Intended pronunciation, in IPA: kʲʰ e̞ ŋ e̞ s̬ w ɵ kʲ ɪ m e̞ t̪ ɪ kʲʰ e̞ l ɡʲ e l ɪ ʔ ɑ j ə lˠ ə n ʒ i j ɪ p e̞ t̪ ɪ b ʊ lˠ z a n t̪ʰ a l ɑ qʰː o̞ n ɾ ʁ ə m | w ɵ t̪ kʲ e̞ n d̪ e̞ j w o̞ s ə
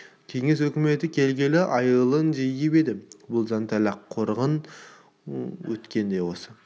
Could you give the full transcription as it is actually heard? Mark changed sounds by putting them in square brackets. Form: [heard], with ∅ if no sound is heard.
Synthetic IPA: kʲʰ e̞ ŋ e̞ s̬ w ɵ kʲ ɪ m e̞ t̪ ɪ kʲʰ e̞ l ɡʲ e l ɪ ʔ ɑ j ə lˠ ə n ʒ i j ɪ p e̞ [d̪] ɪ b ʊ lˠ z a n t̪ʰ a l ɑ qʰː o̞ [∅] ɾ ʁ ə [n] | w ɵ t̪ kʲ e̞ n d̪ e̞ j w o̞ s ə